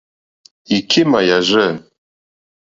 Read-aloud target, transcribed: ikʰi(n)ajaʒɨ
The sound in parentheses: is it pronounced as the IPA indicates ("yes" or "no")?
no